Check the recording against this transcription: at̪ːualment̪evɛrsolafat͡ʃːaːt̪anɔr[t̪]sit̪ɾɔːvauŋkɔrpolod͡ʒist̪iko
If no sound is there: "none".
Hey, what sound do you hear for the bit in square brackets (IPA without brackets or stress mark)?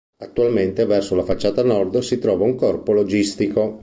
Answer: d̪